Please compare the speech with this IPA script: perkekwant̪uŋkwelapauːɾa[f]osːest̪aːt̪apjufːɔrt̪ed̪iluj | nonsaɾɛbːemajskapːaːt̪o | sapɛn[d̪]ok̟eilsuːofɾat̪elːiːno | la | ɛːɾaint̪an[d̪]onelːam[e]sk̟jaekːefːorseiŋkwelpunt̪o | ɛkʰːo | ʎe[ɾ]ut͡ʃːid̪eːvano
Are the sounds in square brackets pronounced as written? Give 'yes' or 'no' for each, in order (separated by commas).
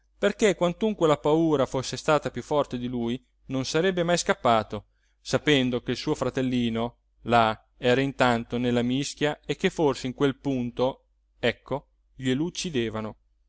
yes, yes, no, no, no